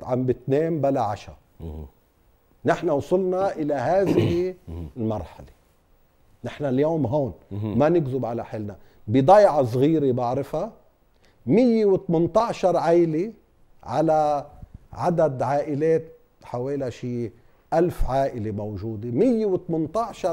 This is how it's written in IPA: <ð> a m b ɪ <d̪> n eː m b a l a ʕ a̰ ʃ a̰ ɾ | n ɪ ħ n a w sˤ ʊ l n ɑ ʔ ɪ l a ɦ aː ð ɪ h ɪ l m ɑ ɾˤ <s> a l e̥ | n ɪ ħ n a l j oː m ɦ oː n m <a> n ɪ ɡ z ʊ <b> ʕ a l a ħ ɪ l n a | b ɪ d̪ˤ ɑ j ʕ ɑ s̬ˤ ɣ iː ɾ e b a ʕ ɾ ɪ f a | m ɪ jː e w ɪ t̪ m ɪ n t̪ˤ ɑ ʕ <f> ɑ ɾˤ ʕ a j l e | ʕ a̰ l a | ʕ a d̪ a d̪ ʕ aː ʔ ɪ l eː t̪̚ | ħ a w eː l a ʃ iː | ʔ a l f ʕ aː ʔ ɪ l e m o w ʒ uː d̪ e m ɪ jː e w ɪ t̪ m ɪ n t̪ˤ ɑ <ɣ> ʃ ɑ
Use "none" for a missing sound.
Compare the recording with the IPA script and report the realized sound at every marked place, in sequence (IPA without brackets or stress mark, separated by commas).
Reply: ʕ, t̪, ħ, a, b, ʃ, ʕ